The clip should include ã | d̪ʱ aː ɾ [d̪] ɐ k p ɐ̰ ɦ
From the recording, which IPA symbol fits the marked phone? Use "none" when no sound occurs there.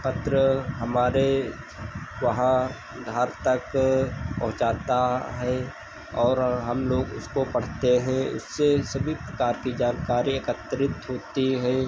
t̪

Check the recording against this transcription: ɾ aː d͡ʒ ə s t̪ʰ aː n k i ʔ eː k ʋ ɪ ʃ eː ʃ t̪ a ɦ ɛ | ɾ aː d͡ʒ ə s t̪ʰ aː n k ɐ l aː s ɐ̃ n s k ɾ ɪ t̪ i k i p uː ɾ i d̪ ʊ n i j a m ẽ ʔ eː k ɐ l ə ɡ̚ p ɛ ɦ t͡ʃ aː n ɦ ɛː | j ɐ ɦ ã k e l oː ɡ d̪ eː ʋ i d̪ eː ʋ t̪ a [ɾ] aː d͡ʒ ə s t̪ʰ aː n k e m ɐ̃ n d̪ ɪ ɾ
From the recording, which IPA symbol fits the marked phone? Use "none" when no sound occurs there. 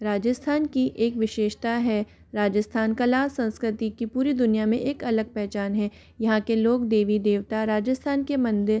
ɾ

